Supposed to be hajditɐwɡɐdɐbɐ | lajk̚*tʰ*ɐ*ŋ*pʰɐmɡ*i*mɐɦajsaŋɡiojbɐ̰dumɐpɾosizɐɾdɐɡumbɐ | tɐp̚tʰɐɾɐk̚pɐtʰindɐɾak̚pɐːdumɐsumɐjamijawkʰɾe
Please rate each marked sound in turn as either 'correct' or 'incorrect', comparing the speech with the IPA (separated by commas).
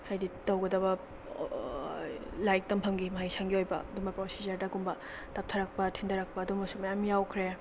incorrect, incorrect, correct